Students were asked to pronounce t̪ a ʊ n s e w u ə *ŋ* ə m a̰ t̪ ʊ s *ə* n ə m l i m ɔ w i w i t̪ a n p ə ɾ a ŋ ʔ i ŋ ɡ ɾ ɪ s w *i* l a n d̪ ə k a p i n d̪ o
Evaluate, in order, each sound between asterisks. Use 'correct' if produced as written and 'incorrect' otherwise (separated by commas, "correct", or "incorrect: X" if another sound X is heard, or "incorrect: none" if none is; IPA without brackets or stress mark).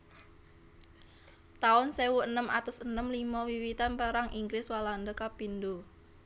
incorrect: n, correct, incorrect: a